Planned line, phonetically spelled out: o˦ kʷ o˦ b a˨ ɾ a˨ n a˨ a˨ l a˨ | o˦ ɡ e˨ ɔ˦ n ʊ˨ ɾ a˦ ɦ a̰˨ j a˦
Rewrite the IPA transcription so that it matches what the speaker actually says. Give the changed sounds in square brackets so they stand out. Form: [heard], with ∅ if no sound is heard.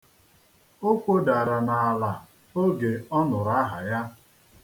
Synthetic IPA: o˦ kʷ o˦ [d] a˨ ɾ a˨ n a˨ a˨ l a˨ | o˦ ɡ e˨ ɔ˦ n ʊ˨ ɾ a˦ ɦ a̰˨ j a˦